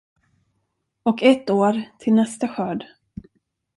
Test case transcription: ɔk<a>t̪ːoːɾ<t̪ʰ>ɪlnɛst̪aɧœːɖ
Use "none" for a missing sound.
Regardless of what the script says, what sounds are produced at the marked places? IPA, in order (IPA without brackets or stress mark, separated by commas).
ɛ, t̪ʰ